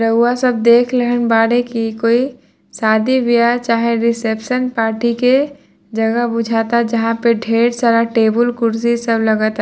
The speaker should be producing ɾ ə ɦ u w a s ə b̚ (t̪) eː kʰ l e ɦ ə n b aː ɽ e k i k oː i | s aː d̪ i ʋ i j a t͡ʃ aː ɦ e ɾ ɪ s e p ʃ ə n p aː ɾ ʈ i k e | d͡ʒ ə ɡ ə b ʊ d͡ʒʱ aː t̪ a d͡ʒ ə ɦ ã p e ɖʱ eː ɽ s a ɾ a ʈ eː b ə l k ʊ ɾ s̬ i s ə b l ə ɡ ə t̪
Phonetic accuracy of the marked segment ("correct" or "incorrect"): incorrect